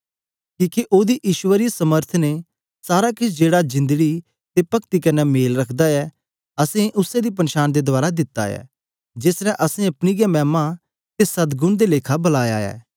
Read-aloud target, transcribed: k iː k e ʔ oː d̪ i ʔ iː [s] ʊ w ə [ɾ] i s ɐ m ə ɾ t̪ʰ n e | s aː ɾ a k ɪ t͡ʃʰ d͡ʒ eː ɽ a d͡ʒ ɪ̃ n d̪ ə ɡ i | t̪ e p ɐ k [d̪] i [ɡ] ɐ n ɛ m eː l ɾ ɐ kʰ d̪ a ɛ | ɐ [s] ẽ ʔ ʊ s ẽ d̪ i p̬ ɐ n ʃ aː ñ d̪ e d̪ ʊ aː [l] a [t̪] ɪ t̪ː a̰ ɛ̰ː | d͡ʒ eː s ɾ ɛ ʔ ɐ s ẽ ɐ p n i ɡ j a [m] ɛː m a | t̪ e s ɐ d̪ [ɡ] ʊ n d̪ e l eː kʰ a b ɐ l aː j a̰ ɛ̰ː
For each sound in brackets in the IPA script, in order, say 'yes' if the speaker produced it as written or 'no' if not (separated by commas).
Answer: no, yes, no, no, yes, no, no, yes, yes